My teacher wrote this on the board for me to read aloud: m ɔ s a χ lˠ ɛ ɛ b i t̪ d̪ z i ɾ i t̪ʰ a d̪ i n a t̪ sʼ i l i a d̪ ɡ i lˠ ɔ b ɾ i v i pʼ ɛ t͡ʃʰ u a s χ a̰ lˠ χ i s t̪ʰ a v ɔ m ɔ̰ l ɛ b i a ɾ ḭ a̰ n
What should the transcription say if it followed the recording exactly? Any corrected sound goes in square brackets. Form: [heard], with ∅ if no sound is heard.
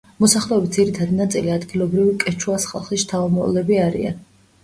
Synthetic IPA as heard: m ɔ s a χ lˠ ɛ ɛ b i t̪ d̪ z i ɾ i t̪ʰ a d̪ i n a t̪ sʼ i l i a d̪ ɡ i lˠ ɔ b ɾ i v i [kʼ] ɛ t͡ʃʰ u a s χ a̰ lˠ χ i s t̪ʰ a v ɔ m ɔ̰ l ɛ b i a ɾ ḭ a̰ n